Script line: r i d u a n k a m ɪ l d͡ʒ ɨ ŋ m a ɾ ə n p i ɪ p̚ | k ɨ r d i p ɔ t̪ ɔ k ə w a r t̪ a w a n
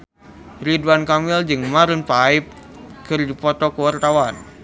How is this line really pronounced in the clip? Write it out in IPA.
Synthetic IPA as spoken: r i d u a n k a m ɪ l d͡ʒ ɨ ŋ m a ɾ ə n p a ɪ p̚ | k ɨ r d i p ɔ t̪ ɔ k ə w a r t̪ a w a n